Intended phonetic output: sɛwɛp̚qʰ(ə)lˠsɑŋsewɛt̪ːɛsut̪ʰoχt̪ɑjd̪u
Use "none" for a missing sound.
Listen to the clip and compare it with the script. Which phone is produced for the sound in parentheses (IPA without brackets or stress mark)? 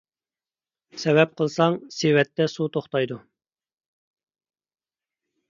ə